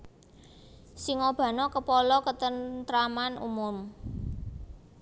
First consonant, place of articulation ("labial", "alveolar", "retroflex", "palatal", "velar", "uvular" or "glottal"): alveolar